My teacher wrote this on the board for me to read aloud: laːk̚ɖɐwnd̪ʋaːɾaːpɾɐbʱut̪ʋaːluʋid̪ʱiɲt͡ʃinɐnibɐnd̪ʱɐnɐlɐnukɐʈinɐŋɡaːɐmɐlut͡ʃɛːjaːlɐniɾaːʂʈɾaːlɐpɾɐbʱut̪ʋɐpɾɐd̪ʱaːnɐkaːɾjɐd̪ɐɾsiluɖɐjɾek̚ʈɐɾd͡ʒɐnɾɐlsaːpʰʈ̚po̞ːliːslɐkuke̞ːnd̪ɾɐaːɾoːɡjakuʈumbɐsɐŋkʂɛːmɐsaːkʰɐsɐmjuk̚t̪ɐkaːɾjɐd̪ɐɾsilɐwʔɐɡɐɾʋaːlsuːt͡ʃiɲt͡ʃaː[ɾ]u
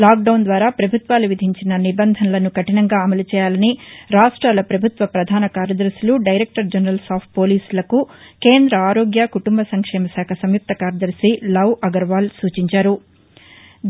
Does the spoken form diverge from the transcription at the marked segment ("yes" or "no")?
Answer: no